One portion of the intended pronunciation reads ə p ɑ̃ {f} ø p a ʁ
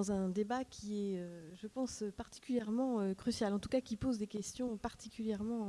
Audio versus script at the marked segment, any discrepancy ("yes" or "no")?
yes